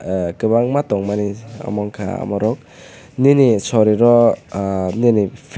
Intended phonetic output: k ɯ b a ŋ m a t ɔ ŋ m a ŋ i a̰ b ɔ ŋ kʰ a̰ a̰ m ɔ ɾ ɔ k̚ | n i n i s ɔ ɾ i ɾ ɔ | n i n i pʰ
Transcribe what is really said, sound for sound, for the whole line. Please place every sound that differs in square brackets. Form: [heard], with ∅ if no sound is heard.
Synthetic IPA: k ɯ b a ŋ m a t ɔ ŋ m a [n] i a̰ [m] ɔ ŋ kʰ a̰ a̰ m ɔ ɾ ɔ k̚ | n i n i s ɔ ɾ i ɾ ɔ | n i n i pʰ

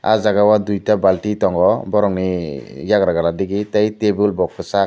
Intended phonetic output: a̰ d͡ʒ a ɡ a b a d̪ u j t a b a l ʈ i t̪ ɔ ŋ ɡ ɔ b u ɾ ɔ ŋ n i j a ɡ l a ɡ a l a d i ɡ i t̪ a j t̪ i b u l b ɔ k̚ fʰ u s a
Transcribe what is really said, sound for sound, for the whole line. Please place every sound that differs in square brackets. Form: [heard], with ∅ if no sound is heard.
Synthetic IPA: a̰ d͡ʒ a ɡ a [w] a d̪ u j t a b a l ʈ i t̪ ɔ ŋ ɡ ɔ b [ɔ] ɾ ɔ ŋ n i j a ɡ [ɾ] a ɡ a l a d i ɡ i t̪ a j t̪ [e] b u l b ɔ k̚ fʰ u s a

